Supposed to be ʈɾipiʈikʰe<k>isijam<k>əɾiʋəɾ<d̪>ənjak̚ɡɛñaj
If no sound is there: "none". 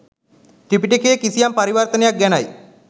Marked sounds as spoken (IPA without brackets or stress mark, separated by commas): k, p, t̪